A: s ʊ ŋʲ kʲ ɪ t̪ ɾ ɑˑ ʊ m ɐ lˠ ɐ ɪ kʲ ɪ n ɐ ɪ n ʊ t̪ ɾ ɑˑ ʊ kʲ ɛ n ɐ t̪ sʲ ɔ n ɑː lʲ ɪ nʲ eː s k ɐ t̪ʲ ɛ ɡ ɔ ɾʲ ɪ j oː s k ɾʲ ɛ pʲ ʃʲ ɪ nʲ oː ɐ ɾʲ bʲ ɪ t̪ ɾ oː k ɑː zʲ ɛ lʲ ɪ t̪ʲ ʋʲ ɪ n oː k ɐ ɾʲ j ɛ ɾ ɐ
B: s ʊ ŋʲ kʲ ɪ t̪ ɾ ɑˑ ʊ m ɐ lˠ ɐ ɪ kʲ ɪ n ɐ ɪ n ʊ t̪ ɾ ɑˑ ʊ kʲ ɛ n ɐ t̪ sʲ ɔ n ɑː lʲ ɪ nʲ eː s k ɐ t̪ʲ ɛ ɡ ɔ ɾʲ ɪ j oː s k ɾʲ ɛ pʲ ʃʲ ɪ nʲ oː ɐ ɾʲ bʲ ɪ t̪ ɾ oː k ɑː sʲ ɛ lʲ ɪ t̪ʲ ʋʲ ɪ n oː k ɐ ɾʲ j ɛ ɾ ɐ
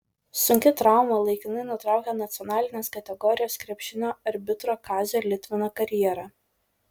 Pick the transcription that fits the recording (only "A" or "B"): A